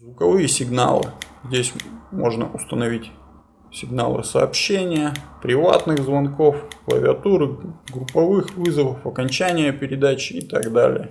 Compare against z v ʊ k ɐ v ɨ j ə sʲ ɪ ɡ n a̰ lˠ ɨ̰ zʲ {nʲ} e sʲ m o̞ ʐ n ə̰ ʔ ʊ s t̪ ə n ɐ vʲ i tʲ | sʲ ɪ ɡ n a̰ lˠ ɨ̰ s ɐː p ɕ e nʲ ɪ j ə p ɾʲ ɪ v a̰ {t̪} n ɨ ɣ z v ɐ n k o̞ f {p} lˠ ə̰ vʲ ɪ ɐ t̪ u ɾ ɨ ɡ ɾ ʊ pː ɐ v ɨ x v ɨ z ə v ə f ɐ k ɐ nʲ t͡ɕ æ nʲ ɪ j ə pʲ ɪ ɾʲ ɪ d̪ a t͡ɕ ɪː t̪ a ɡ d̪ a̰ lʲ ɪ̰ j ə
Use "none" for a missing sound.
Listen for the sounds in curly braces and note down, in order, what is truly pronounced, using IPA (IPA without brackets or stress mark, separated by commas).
dʲ, t̪, k